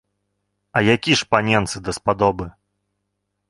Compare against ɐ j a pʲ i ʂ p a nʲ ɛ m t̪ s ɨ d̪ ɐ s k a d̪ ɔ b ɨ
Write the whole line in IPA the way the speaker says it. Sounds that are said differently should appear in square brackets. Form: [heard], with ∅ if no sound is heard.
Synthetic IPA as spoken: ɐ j a [kʲ] i ʂ p a nʲ ɛ [n] t̪ s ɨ d̪ ɐ s [p] a d̪ ɔ b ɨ